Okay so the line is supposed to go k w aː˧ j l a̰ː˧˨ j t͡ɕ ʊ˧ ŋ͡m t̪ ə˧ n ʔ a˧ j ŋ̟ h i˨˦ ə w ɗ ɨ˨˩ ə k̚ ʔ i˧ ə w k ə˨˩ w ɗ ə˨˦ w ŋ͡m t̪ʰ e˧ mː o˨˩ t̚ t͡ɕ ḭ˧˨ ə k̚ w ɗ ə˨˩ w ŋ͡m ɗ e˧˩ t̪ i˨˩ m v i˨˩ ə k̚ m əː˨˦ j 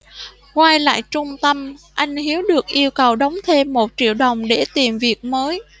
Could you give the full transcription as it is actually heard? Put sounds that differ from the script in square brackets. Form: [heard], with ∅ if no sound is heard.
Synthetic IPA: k w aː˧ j l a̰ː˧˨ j t͡ɕ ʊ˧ ŋ͡m t̪ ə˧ [m] ʔ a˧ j ŋ̟ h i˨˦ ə w ɗ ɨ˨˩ ə k̚ ʔ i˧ ə w k ə˨˩ w ɗ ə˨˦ w ŋ͡m t̪ʰ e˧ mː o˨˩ t̚ t͡ɕ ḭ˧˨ ə [∅] w ɗ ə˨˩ w ŋ͡m ɗ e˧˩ t̪ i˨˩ m v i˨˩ ə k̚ m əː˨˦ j